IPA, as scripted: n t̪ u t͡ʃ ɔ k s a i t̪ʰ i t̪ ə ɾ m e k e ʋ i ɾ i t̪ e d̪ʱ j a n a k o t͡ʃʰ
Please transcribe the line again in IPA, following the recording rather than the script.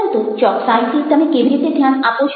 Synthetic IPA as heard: n t̪ u t͡ʃ ɔ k s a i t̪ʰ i t̪ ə m e k e ʋ i ɾ i t̪ e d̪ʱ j a n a p o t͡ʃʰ

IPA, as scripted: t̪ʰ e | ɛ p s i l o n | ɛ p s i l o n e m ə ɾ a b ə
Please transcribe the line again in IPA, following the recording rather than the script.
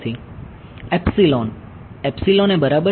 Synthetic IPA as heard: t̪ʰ i | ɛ p s i l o n | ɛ p s i l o n e b ə ɾ a b ə

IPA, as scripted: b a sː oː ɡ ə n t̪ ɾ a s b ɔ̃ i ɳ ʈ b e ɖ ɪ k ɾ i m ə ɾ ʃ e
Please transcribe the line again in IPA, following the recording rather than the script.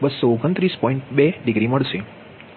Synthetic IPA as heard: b ə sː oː ɡ ə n t̪ ɾ i s p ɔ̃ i ɳ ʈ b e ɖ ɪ ɡ ɾ i m ə ɭ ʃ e

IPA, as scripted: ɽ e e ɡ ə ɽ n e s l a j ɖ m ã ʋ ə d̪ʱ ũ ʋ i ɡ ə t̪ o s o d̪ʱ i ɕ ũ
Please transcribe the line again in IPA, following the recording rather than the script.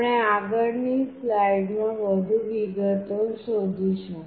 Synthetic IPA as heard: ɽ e a ɡ ə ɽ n i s l a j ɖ m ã ʋ ə d̪ʱ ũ ʋ i ɡ ə t̪ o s o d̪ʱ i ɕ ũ

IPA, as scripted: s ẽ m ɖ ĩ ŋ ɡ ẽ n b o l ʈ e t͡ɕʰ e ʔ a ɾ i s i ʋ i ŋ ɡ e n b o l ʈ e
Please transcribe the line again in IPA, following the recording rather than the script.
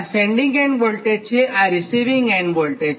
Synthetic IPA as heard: s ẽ ɳ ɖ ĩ ŋ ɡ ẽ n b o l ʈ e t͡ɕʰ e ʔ a ɾ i s i ʋ i ŋ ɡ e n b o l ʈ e

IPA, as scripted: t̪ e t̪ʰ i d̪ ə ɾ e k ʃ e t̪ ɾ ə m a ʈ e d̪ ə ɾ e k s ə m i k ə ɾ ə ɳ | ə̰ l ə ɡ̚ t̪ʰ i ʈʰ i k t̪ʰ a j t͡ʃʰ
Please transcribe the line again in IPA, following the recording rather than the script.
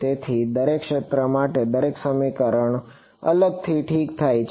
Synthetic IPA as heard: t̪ e t̪ʰ i d̪ ə ɾ e k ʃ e t̪ ɾ ə m a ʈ e d̪ ə ɾ e k s ə m i k ə ɾ ə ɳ | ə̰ l ə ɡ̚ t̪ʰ i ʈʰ i k t̪ʰ a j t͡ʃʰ

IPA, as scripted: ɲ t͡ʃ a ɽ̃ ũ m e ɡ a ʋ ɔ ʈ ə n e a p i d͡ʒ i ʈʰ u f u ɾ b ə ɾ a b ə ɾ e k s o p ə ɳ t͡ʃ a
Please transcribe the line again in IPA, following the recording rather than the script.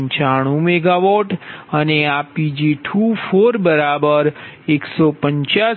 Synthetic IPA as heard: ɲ t͡ʃ a ɽ̃ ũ m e ɡ a ʋ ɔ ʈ ə n e a p i d͡ʒ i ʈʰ u f o ɾ b ə ɾ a b ə ɾ e k s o p ə ɲ t͡ʃ a

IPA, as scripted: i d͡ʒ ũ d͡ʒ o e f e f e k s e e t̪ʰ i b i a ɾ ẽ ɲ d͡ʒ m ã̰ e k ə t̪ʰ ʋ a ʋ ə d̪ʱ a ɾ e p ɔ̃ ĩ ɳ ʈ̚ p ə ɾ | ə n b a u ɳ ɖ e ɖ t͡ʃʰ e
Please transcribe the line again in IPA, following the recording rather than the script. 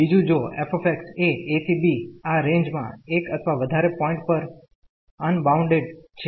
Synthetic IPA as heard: i d͡ʒ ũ d͡ʒ o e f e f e k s e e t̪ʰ i b i a ɾ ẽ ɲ d͡ʒ m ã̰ e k ə t̪ʰ ʋ a ʋ ə d̪ʱ a ɾ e p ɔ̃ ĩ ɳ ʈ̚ p ə ɾ | ə n b a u ɳ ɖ e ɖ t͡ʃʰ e

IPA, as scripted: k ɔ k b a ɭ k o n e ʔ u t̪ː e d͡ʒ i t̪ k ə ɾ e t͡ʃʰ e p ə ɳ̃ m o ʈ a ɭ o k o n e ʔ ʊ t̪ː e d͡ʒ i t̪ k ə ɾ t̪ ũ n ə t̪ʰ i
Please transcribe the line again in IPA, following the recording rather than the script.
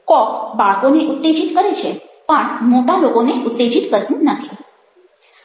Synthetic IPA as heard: k ɔ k b a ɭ k o n e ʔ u t̪ː e d͡ʒ i t̪ k ə ɾ e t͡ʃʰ e p ə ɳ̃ m o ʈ a l o k o n e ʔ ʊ t̪ː e d͡ʒ i t̪ k ə ɾ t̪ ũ n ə t̪ʰ i

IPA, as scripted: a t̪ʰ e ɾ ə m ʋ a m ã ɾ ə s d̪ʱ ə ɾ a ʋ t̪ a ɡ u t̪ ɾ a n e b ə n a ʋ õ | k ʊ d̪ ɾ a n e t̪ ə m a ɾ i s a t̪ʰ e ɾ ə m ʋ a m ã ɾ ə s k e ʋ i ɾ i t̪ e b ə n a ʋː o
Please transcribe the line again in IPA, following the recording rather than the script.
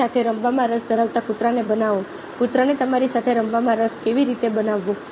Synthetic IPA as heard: a t̪ʰ e ɾ ə m ʋ a m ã ɾ ə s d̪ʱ ə ɾ a ʋ t̪ a k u t̪ ɾ a n e b ə n a ʋ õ | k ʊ t̪ ɾ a n e t̪ ə m a ɾ i s a t̪ʰ e ɾ ə m ʋ a m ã ɾ ə s k e ʋ i ɾ i t̪ e b ə n a ʋː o

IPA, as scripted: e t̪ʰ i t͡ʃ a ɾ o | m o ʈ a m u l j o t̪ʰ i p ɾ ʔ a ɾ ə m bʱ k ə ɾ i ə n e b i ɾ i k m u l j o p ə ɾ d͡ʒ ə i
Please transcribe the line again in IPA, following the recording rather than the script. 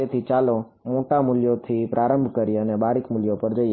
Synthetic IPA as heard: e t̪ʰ i t͡ʃ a l o | m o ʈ a m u l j o t̪ʰ i p ɾ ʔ a ɾ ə m bʱ k ə ɾ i ə n e b a ɾ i k m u l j o p ə ɾ d͡ʒ ə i

